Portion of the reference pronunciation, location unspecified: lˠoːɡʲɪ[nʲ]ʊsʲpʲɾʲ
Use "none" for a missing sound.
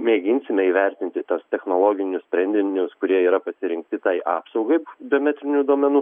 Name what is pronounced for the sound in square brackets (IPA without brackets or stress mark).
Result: nʲ